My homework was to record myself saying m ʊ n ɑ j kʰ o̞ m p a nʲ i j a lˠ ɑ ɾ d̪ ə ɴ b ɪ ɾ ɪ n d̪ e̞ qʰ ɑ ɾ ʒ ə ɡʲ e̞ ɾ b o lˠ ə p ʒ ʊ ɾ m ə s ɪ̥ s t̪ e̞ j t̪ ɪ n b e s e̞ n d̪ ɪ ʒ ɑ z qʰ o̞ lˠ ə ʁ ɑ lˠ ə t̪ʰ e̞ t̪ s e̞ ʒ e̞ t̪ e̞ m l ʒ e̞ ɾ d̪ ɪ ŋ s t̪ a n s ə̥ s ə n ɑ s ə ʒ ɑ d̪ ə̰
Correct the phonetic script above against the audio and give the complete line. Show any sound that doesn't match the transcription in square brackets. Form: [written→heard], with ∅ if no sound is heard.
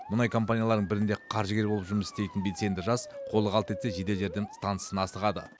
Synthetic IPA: m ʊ n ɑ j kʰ o̞ m p a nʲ i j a lˠ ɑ ɾ d̪ ə ɴ b ɪ ɾ ɪ n d̪ e̞ qʰ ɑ ɾ ʒ ə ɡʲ e̞ ɾ b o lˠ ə p ʒ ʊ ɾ m ə s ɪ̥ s t̪ e̞ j t̪ ɪ n b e s e̞ n d̪ ɪ ʒ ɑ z qʰ o̞ lˠ ə ʁ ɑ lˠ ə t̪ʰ e̞ t̪ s e̞ ʒ e̞ [t̪→d̪] e̞ [m→∅] l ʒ e̞ ɾ d̪ ɪ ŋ s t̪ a n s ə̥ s ə n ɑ s ə [ʒ→ʁ] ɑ d̪ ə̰

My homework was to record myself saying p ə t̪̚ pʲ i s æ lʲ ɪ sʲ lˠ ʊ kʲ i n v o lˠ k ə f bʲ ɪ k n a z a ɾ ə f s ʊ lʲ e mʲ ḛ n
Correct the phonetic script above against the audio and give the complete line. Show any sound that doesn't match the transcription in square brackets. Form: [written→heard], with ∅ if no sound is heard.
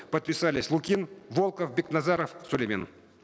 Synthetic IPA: p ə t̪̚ pʲ [i→ɪ] s [æ→a] lʲ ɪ sʲ lˠ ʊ kʲ i n v o lˠ k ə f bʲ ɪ k n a z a ɾ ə f s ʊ lʲ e mʲ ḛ n

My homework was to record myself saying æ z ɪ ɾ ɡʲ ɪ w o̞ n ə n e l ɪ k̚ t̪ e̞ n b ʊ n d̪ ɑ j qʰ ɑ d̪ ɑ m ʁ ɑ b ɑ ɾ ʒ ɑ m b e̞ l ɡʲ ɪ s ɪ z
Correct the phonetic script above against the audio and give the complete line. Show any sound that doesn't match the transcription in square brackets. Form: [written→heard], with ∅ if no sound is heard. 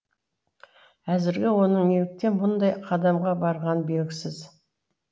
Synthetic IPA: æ z ɪ ɾ ɡʲ ɪ w o̞ n ə [n→ɴ] e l ɪ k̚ t̪ e̞ n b ʊ n d̪ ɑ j qʰ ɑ d̪ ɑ m ʁ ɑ b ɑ ɾ [ʒ→ʁ] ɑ [m→n] b e̞ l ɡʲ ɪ s ɪ z

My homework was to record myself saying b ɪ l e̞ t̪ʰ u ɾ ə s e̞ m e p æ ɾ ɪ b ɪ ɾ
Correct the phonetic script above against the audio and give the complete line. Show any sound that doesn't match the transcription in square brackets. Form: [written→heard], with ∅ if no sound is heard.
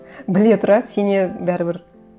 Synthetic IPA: b ɪ l e̞ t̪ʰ [u→ʊ] ɾ [ə→ɑ] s e̞ [m→n] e [p→b] æ ɾ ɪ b ɪ ɾ

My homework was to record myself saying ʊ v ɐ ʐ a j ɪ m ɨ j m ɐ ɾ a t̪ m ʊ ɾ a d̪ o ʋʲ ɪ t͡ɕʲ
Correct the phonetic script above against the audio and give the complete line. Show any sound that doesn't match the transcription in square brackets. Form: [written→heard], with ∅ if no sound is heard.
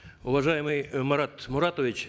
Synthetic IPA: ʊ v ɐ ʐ a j ɪ m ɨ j m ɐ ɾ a t̪ m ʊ ɾ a [d̪→t̪] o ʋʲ ɪ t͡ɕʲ

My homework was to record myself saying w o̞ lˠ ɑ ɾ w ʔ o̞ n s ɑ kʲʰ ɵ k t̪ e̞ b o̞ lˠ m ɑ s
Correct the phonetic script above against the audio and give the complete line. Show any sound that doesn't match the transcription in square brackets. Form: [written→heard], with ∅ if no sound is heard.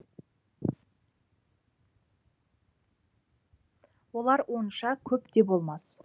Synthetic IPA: w o̞ lˠ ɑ ɾ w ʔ o̞ n [s→ʃ] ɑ kʲʰ ɵ [k→p] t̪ e̞ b o̞ lˠ m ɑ s

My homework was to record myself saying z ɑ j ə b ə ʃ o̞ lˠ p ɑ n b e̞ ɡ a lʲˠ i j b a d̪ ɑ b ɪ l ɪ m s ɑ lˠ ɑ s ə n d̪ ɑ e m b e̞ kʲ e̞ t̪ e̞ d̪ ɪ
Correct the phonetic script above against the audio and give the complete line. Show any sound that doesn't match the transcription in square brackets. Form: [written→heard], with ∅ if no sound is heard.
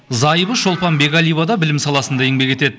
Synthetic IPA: z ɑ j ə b ə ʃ o̞ lˠ p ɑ n b e̞ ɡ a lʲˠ i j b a d̪ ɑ b ɪ l ɪ m s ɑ lˠ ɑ s ə n d̪ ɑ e [m→ŋ] b e̞ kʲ e̞ t̪ e̞ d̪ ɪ

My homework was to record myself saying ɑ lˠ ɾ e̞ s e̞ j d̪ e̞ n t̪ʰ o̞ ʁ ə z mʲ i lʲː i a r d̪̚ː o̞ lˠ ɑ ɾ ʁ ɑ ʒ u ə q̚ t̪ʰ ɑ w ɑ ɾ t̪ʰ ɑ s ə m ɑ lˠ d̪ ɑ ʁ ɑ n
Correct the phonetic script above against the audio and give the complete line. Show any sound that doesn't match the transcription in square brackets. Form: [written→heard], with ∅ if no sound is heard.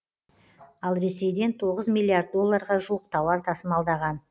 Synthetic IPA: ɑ lˠ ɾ e̞ s e̞ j d̪ e̞ n t̪ʰ o̞ ʁ ə z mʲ i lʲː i a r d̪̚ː o̞ [lˠ→lˠː] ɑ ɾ ʁ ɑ ʒ u ə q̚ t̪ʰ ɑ w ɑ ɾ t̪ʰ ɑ s ə m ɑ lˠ d̪ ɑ ʁ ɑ n

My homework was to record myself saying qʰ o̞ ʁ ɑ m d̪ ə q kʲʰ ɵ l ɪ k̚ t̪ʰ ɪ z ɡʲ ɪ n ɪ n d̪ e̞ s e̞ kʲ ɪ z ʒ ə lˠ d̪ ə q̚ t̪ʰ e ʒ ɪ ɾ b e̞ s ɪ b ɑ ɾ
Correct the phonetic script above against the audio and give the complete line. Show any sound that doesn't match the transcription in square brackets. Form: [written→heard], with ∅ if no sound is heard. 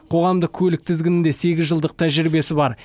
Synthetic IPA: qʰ o̞ ʁ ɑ m d̪ ə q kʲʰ ɵ l ɪ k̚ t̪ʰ ɪ z ɡʲ ɪ n ɪ n d̪ e̞ s e̞ [kʲ→ɡʲ] ɪ z ʒ ə lˠ d̪ ə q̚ t̪ʰ [e→æ] ʒ ɪ ɾ b e̞ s ɪ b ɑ ɾ

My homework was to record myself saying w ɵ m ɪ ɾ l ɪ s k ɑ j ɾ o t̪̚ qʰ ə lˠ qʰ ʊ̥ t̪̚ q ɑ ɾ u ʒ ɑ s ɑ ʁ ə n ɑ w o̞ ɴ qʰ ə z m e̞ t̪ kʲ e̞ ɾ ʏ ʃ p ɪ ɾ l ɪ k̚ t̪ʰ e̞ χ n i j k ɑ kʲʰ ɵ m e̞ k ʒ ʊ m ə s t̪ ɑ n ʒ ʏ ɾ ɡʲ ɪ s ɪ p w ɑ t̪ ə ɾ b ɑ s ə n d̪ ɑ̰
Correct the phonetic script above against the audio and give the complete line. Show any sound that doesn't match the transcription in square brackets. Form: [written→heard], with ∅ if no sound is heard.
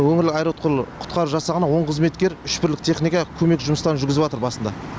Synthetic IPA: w ɵ [m→ŋ] ɪ ɾ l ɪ [s→∅] k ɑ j ɾ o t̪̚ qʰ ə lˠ qʰ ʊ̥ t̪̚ q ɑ ɾ u ʒ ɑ s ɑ ʁ ə n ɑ w o̞ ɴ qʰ ə z m e̞ t̪ kʲ e̞ ɾ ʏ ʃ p ɪ ɾ l ɪ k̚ t̪ʰ e̞ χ n i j k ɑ kʲʰ ɵ m e̞ k ʒ ʊ m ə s t̪ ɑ n ʒ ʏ ɾ ɡʲ ɪ [s→z] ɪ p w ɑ t̪ ə ɾ b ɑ s ə n d̪ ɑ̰

